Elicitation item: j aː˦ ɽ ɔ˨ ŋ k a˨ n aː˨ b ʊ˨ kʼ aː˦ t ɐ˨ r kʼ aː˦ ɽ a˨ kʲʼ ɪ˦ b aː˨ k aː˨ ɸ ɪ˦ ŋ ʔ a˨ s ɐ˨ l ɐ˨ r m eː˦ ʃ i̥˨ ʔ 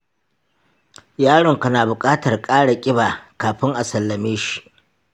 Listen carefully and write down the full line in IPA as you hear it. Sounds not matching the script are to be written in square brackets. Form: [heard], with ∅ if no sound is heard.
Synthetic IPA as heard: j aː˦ ɽ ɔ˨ ŋ k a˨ n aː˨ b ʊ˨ kʼ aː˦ t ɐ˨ r kʼ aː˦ ɽ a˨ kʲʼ ɪ˦ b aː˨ k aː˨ ɸ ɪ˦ ŋ ʔ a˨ s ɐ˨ [lː] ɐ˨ [∅] m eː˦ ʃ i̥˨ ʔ